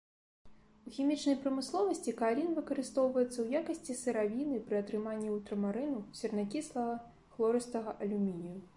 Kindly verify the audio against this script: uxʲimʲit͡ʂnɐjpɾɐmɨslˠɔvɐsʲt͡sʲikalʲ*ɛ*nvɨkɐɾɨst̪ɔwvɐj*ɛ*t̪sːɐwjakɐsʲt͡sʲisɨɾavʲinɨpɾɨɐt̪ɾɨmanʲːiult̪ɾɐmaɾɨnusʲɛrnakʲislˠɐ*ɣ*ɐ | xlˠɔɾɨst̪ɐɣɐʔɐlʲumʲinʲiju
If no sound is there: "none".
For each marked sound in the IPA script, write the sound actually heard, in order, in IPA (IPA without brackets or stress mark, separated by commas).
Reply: i, ɛ, ɣ